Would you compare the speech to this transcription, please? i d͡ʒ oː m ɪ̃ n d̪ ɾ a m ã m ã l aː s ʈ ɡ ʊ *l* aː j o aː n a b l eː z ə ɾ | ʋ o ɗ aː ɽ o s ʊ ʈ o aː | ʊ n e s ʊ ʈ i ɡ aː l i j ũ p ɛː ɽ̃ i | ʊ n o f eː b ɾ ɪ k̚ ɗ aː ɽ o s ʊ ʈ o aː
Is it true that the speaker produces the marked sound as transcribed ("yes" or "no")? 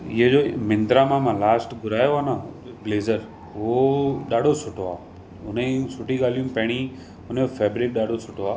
no